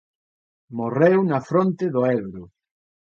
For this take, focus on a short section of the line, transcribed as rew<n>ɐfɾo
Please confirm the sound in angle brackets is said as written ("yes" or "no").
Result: yes